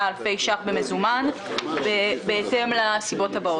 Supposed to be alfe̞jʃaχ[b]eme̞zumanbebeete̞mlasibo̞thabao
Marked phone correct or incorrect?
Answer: correct